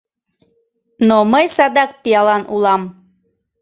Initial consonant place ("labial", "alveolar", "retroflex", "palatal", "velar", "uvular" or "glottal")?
alveolar